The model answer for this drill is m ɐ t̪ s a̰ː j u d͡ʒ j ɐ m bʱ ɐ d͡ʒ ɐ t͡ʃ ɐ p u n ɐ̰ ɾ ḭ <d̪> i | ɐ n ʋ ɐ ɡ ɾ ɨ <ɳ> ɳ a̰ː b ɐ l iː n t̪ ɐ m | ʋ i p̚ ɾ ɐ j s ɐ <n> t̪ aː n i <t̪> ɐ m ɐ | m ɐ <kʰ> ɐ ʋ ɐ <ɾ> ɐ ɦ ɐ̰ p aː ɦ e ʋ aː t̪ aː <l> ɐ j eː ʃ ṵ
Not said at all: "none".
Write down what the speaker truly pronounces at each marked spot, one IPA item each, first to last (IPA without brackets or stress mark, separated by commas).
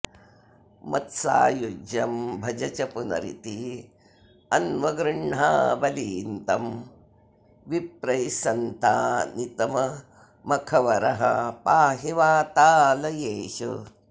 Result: t̪, ɳ, n, t̪, kʰ, ɾ, l